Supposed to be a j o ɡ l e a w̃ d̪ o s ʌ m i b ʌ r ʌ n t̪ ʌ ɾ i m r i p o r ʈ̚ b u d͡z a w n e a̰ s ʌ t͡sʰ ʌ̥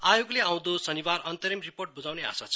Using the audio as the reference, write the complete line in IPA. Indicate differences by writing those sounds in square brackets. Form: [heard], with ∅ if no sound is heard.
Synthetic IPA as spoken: a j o ɡ l e a w̃ d̪ o s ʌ [n] i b [a] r ʌ n t̪ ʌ ɾ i m r i p o r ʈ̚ b u d͡z a w n e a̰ s [a] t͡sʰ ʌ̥

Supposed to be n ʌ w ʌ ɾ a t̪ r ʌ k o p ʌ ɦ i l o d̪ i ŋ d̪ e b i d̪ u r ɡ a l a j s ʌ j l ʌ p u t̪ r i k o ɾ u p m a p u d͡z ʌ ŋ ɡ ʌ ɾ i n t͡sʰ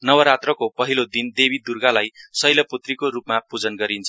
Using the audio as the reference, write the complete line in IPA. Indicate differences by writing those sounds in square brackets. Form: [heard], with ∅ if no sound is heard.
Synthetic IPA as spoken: n ʌ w ʌ ɾ a t̪ r ʌ k o p ʌ ɦ i l o d̪ i [n] d̪ e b i d̪ u r ɡ a l a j s ʌ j l ʌ p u t̪ r i k o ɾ u p m a p u d͡z ʌ [n] ɡ ʌ ɾ i n t͡sʰ

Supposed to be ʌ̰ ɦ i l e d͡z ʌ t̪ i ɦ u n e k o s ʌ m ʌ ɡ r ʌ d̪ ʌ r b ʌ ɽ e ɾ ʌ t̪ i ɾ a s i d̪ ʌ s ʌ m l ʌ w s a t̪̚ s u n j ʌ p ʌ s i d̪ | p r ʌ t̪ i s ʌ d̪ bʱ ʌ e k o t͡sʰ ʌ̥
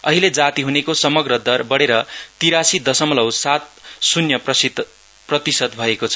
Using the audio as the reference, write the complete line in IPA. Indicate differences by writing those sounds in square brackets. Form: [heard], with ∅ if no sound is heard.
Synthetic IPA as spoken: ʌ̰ ɦ i l e d͡z [a] t̪ i ɦ u n e k o s ʌ m ʌ ɡ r ʌ d̪ ʌ r b ʌ ɽ e ɾ ʌ t̪ i ɾ a s i d̪ ʌ s ʌ m l ʌ w s a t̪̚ s u n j ʌ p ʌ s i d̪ | p r ʌ t̪ i s ʌ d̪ bʱ ʌ e k o t͡sʰ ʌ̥

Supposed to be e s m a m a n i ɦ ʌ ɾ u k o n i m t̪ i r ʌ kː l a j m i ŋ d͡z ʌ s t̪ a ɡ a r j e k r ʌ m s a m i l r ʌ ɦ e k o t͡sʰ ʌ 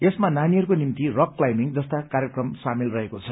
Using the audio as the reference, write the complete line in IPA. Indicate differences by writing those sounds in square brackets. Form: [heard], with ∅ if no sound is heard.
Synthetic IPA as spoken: e s m a [n] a n i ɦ ʌ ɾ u k o n i m t̪ i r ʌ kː l a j m i ŋ d͡z ʌ s t̪ a [k] a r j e k r ʌ m s a m i l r ʌ ɦ e k o t͡sʰ ʌ

